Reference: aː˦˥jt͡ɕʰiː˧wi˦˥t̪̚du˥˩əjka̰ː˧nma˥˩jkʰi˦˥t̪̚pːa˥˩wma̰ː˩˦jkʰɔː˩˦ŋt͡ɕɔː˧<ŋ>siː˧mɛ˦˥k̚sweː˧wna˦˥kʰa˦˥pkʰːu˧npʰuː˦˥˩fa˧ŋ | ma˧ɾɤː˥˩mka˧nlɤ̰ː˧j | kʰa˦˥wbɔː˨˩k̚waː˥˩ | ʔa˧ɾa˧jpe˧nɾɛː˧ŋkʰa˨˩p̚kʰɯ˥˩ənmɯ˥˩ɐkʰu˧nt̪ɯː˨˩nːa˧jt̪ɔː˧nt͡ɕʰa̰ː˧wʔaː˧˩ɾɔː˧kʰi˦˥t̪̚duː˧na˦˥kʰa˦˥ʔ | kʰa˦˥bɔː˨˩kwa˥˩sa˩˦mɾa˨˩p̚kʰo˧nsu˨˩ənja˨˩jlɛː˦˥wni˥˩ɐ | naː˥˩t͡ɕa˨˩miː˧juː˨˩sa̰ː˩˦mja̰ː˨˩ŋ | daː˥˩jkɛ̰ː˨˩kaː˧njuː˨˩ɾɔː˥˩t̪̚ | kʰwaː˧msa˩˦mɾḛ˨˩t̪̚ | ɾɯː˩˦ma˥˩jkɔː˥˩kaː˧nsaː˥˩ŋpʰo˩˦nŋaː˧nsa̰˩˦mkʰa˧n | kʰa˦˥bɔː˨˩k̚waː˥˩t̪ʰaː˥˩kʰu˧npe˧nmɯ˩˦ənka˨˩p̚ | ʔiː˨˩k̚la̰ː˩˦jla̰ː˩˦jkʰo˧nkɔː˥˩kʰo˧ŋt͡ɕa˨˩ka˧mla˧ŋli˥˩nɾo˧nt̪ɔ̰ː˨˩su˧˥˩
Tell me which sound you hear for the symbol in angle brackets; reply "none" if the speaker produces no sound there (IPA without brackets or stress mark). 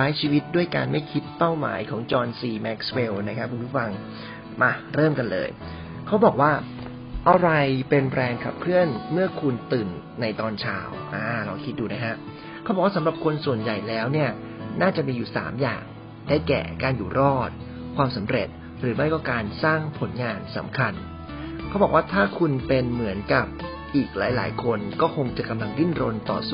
n